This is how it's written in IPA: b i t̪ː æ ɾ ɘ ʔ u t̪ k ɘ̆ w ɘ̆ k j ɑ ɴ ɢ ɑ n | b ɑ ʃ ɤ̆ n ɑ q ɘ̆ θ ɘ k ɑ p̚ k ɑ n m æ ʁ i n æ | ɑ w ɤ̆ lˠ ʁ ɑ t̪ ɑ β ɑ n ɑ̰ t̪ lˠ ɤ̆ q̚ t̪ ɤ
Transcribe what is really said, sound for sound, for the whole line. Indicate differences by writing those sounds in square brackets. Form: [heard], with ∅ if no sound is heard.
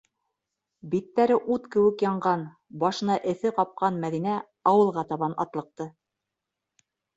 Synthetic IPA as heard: b i t̪ː æ ɾ ɘ ʔ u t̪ k ɘ̆ w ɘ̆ k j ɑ ɴ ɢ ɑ n | b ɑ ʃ ɤ̆ n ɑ [ʔ] ɘ̆ θ ɘ [q] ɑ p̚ [q] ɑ n m æ [ð] i n æ | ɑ w ɤ̆ lˠ ʁ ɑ t̪ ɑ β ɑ n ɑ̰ t̪ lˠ ɤ̆ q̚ t̪ ɤ

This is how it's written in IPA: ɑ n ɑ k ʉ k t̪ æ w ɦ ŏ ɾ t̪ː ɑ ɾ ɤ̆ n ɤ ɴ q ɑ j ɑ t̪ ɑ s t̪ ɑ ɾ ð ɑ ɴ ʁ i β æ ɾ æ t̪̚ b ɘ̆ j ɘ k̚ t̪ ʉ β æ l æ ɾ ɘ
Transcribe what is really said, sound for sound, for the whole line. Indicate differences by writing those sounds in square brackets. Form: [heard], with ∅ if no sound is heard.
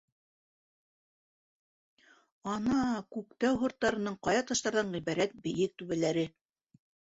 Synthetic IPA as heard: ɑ n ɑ k ʉ k t̪ æ w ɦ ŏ ɾ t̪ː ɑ ɾ ɤ̆ n ɤ ɴ q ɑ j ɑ t̪ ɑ [ʃ] t̪ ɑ ɾ ð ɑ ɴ ʁ i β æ ɾ æ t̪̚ b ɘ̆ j ɘ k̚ t̪ ʉ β æ l æ ɾ ɘ

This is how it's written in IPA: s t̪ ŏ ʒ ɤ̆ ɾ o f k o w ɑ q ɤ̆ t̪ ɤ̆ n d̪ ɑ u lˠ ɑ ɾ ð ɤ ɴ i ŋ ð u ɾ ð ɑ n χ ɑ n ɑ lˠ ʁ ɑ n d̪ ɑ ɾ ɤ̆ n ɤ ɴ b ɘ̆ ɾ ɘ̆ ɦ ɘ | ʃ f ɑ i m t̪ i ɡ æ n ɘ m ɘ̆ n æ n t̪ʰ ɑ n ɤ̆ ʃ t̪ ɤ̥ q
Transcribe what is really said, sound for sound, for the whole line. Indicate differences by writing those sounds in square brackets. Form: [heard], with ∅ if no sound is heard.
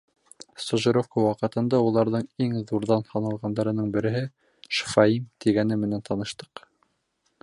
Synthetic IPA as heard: s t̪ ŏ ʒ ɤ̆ ɾ o f k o w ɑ q ɤ̆ t̪ ɤ̆ n d̪ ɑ u lˠ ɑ ɾ ð ɤ ɴ i ŋ ð u ɾ ð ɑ n [h] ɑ n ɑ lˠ ʁ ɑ n d̪ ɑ ɾ ɤ̆ n ɤ ɴ b ɘ̆ ɾ ɘ̆ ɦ ɘ | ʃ f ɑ i m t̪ i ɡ æ n ɘ m ɘ̆ n æ n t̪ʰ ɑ n ɤ̆ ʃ t̪ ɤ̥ q

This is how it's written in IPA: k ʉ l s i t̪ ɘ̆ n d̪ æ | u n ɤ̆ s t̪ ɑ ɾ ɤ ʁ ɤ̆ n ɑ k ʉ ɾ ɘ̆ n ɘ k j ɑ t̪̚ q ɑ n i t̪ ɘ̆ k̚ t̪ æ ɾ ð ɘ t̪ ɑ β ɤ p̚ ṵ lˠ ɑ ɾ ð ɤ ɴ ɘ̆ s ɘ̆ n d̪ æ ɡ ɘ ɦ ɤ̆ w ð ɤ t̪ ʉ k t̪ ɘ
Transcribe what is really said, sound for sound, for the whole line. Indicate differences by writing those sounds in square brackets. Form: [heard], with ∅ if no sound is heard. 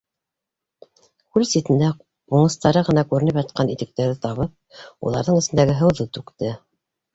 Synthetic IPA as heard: k ʉ l s i t̪ ɘ̆ n d̪ æ | u [ɴ] ɤ̆ s t̪ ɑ ɾ ɤ ʁ ɤ̆ n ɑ k ʉ ɾ ɘ̆ n ɘ [p] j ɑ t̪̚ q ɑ n i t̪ ɘ̆ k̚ t̪ æ ɾ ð ɘ t̪ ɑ β ɤ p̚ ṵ lˠ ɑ ɾ ð ɤ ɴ ɘ̆ s ɘ̆ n d̪ æ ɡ ɘ ɦ ɤ̆ w ð ɤ t̪ ʉ k t̪ ɘ

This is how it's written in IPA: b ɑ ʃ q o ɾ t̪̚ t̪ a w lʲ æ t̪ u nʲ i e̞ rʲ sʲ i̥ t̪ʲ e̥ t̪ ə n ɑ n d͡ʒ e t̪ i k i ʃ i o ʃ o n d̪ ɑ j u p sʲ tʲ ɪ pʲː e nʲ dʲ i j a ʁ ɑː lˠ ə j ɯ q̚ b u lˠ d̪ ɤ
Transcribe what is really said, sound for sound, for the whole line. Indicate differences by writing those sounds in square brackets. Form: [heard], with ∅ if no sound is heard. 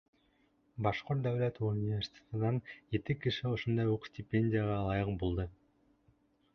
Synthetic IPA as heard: b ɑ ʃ q o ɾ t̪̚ [d̪] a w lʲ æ t̪ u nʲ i e̞ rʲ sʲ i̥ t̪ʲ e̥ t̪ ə n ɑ n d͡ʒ e t̪ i k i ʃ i o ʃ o n d̪ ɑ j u [q] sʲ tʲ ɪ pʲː e nʲ dʲ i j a ʁ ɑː lˠ [ɑ] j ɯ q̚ b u lˠ d̪ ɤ

